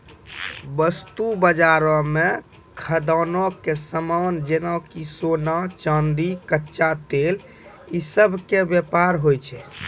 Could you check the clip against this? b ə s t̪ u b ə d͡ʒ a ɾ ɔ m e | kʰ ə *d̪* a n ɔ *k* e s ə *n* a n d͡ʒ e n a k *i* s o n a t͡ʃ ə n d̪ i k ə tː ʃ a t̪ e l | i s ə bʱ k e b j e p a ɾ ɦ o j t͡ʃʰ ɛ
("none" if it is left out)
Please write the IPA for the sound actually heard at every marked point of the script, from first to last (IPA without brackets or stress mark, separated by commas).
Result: d̪, k, m, i